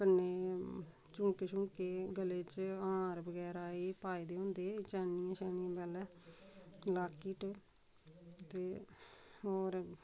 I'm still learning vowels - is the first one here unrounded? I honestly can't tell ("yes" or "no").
yes